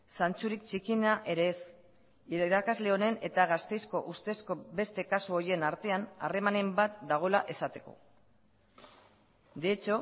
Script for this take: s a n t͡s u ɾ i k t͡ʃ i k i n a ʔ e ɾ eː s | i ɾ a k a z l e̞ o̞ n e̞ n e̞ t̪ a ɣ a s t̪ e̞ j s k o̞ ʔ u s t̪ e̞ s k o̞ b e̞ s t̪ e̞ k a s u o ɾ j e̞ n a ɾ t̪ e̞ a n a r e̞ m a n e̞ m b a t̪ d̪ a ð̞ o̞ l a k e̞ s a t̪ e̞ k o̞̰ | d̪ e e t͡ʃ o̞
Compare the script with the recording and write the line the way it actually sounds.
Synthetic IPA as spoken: s a n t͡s u ɾ i k t͡ʃ i k i n a ʔ e ɾ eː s | i ɾ a k a z l e̞ o̞ n e̞ n e̞ t̪ a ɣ a s t̪ e̞ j s k o̞ ʔ u s t̪ e̞ s k o̞ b e̞ s t̪ e̞ k a s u o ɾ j e̞ n a ɾ t̪ e̞ a n a r e̞ m a n e̞ m b a t̪ d̪ a ɣ̞ o̞ l a ʔ e̞ s a t̪ e̞ k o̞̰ | d̪ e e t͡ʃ o̞

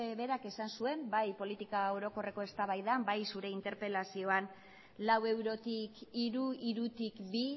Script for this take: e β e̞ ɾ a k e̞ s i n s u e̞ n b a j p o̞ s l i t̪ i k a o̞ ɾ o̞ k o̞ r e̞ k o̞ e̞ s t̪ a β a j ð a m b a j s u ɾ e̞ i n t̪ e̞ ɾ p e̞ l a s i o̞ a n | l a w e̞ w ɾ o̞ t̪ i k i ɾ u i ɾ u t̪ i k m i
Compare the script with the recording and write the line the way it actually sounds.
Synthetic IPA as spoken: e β e̞ ɾ a k e̞ s a n s u e̞ m b a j p o̞ l i t̪ i k a o̞ ɾ o̞ k o̞ r e̞ k o̞ e̞ s t̪ a β a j ð a m b a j s u ɾ e̞ i n t̪ e̞ ɾ p e̞ l a s i o̞ a n | l a w e̞ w ɾ o̞ t̪ i k i ɾ u i ɾ u t̪ i k b i

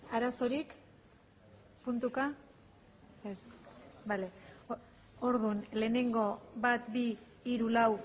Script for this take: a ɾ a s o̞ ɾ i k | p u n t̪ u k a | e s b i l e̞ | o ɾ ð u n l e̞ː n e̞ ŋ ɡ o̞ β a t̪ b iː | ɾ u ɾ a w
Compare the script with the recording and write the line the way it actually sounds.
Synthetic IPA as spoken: a ɾ a s o̞ ɾ i k | p u n t̪ u k a | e s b a l e̞ | o ɾ ð u n l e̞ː n e̞ ŋ ɡ o̞ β a t̪ b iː | ɾ u l a w

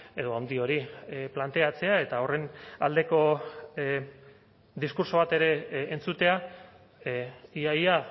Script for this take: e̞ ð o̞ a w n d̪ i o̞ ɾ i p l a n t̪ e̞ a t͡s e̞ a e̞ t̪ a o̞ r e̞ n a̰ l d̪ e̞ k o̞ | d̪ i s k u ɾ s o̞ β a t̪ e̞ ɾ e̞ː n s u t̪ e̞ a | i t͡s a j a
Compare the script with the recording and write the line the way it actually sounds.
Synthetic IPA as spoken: e̞ ð o̞ a w n d̪ i o̞ ɾ i p l a n t̪ e̞ a t͡s e̞ a e̞ t̪ a o̞ r e̞ n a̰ l d̪ e̞ k o̞ | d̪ i s k u ɾ s o̞ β a t̪ e̞ ɾ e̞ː n t͡s u t̪ e̞ a | i a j a

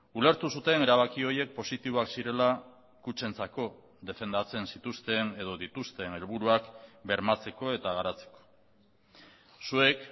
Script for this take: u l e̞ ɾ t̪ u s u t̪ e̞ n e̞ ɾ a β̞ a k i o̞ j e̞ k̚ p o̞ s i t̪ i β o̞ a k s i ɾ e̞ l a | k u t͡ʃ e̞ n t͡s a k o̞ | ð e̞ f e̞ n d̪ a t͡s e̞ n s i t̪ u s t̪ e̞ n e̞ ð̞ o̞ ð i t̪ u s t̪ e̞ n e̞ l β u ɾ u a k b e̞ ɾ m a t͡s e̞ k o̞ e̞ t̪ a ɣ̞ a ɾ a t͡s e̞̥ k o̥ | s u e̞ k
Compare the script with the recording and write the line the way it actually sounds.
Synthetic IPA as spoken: u l e̞ ɾ t̪ u s u t̪ e̞ n e̞ ɾ a β̞ a k i o̞ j e̞ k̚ p o̞ s i t̪ i β o̞ a k s i ɾ e̞ l a | k u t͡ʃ e̞ n t͡s a k o̞ | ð e̞ f e̞ n d̪ a t͡s e̞ n s i t̪ u s t̪ e̞ n e̞ ð̞ o̞ ð i t̪ u s t̪ e̞ n e̞ l β u ɾ u a k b e̞ ɾ m a t͡s e̞ k o̞ e̞ t̪ a ɣ̞ a ɾ a t͡s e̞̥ k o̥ | s u e̞ k

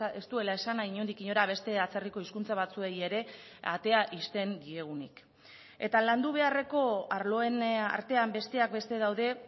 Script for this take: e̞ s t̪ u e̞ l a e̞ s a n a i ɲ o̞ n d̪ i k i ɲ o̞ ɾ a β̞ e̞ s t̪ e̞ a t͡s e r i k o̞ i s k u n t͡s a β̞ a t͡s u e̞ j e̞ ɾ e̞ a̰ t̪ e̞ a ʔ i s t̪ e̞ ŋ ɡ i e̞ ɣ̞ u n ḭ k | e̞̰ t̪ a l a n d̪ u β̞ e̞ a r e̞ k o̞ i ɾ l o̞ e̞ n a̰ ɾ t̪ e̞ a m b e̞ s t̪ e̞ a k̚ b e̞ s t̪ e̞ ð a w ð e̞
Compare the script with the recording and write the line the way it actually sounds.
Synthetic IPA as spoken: e̞ s t̪ u e̞ l a e̞ s a n a i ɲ o̞ n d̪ i k i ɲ o̞ ɾ a β̞ e̞ s t̪ e̞ a t͡s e r i k o̞ i s k u n t͡s a β̞ a t͡s u e̞ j e̞ ɾ e̞ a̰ t̪ e̞ a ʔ i s t̪ e̞ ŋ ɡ i e̞ ɣ̞ u n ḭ k | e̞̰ t̪ a l a n d̪ u β̞ e̞ a r e̞ k o̞ a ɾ l o̞ e̞ n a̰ ɾ t̪ e̞ a m b e̞ s t̪ e̞ a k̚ b e̞ s t̪ e̞ ð a w ð e̞

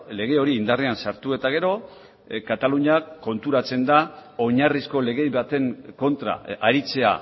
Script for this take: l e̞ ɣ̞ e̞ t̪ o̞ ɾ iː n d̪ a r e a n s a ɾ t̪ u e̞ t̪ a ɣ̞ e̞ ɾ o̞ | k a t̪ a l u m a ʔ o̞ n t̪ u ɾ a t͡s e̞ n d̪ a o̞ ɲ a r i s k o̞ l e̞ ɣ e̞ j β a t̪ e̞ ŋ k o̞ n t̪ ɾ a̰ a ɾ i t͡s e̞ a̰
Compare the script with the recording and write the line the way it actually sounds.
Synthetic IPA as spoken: l e̞ ɣ̞ e̞ o̞ ɾ iː n d̪ a r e a n s a ɾ t̪ u e̞ t̪ a ɣ̞ e̞ ɾ o̞ | k a t̪ a l u ɲ a k o̞ n t̪ u ɾ a t͡s e̞ n d̪ a o̞ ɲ a r i s k o̞ l e̞ ɣ e̞ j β a t̪ e̞ ŋ k o̞ n t̪ ɾ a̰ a ɾ i t͡s e̞ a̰

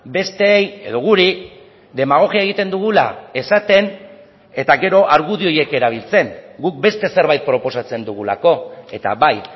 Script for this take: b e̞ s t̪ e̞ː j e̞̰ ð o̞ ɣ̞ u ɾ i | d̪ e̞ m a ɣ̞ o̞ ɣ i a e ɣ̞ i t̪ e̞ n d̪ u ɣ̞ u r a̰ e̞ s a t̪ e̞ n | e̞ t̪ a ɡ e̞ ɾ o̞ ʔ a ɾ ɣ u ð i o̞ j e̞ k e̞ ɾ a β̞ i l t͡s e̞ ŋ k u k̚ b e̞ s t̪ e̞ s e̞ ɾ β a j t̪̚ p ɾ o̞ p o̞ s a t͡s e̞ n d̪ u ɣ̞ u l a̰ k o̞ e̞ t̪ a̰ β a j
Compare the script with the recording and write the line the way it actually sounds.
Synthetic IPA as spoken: b e̞ s t̪ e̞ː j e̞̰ ð o̞ ɣ̞ u ɾ i | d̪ e̞ m a ɣ̞ o̞ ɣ i a e ɣ̞ i t̪ e̞ n d̪ u ɣ̞ u l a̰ e̞ s a t̪ e̞ n | e̞ t̪ a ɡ e̞ ɾ o̞ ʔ a ɾ ɣ u ð i o̞ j e̞ k e̞ ɾ a β̞ i l t͡s e̞ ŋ ɡ u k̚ b e̞ s t̪ e̞ s e̞ ɾ β a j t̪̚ p ɾ o̞ p o̞ s a t͡s e̞ n d̪ u ɣ̞ u l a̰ k o̞ e̞ t̪ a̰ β a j

